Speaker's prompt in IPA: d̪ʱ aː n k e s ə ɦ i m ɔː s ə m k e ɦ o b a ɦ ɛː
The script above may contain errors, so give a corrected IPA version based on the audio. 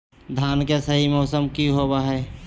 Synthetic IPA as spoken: d̪ʱ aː n k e s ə ɦ i m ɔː s ə m k i ɦ o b a ɦ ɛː

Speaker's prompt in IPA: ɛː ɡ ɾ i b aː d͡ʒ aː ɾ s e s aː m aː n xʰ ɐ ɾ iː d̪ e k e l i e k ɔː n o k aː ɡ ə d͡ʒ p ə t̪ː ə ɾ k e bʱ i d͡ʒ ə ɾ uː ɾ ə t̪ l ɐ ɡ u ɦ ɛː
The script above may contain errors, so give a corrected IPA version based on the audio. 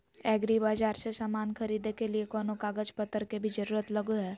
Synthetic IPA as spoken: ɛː ɡ ɾ i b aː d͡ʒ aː ɾ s e s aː m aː n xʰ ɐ ɾ iː d̪ e k e l i e k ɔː n o k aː ɡ ə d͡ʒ p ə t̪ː ə ɾ k e bʱ i d͡ʒ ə ɾ uː ɾ ə t̪ l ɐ ɡ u ɦ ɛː

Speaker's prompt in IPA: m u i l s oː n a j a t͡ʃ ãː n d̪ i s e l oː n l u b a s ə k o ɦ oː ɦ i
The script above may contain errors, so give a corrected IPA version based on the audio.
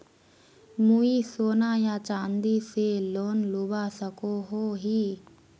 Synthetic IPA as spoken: m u i s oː n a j a t͡ʃ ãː n d̪ i s e l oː n l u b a s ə k o ɦ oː ɦ i

